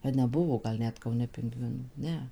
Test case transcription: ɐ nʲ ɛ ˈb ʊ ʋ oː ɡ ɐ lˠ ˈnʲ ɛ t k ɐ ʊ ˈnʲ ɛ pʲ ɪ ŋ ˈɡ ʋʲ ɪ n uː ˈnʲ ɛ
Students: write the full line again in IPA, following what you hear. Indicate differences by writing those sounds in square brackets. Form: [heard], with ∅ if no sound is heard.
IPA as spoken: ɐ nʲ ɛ ˈb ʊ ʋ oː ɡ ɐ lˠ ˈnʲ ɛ t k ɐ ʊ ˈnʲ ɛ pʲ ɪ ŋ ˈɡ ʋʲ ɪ n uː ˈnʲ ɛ